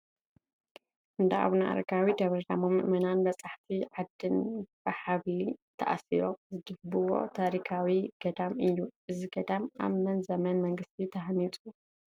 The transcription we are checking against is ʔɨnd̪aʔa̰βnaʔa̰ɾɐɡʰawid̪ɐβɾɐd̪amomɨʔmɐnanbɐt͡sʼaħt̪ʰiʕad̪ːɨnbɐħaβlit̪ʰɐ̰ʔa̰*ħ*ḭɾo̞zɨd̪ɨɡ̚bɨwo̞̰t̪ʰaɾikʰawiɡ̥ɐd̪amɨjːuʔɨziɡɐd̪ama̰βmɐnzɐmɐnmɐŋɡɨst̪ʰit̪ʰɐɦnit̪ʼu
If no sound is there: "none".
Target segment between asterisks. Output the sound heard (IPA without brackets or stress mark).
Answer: s